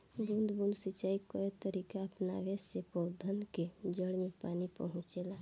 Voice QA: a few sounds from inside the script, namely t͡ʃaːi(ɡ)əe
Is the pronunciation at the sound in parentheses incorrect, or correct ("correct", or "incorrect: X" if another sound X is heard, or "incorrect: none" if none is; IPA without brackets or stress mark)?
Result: incorrect: k